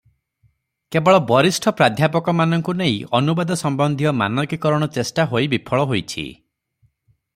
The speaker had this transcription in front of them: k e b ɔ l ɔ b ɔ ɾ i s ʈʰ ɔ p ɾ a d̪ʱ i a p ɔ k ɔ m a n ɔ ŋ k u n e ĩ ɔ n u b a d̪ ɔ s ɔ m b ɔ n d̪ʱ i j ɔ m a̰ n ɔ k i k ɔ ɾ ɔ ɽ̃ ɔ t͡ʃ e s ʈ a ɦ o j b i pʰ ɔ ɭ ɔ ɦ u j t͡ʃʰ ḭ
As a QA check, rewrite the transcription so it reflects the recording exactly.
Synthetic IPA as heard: k e b ɔ ɭ ɔ b ɔ ɾ i s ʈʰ ɔ p ɾ a d̪ʱ j a p ɔ k ɔ m a n ɔ ŋ k u n e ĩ ɔ n u b a d̪ ɔ s ɔ m b ɔ n d̪ʱ i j ɔ m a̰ n ɔ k i k ɔ ɾ ɔ ɽ̃ ɔ t͡ʃ e s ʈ a ɦ o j b i pʰ ɔ ɭ ɔ ɦ o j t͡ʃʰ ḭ